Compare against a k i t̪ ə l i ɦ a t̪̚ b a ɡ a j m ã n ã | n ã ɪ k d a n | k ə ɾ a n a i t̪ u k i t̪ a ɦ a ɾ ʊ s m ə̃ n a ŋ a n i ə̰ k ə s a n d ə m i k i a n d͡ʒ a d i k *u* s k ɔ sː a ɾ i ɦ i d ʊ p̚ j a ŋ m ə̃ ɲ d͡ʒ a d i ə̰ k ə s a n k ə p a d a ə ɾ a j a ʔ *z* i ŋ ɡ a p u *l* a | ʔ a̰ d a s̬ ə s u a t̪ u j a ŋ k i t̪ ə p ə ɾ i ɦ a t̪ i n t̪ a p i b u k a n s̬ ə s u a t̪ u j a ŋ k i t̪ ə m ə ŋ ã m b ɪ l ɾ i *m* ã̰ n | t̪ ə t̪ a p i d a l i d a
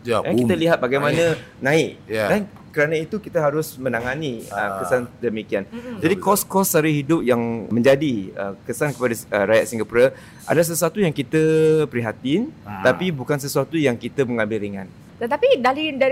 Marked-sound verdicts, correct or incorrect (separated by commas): incorrect, incorrect, incorrect, incorrect